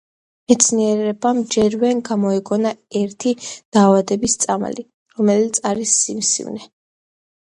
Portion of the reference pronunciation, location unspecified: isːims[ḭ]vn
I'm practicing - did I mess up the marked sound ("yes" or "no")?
no